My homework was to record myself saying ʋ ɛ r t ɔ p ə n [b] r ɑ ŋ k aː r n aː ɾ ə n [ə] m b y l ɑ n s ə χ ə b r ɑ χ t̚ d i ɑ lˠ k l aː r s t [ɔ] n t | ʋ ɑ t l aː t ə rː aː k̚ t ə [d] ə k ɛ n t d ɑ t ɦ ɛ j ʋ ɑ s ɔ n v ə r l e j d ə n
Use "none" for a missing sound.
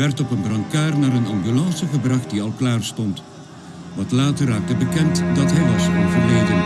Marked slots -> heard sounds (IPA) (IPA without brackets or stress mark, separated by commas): b, ɑ, ɔ, b